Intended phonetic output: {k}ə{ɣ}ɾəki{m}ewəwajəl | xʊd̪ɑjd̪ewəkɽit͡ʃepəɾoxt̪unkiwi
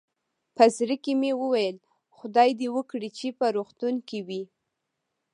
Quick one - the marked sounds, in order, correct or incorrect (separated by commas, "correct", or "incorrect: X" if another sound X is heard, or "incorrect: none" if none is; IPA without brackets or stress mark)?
incorrect: p, incorrect: z, correct